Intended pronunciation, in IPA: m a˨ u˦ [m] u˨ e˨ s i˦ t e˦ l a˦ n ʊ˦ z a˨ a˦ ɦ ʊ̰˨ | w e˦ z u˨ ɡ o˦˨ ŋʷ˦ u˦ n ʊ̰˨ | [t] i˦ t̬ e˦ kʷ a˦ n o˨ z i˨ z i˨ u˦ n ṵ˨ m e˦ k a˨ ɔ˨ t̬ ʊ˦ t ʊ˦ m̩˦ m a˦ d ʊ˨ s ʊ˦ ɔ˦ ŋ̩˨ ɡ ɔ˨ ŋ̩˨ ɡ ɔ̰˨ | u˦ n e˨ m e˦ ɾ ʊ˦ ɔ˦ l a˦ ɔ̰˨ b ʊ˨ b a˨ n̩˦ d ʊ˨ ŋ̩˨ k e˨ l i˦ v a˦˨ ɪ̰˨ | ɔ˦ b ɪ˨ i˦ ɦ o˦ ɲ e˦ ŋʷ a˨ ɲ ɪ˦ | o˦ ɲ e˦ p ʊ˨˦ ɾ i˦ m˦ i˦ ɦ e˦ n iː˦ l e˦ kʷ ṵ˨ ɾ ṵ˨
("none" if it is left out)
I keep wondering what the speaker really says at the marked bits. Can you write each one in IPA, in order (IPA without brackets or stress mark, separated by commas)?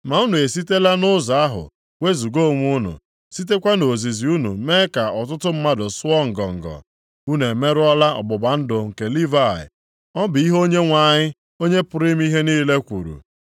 n, s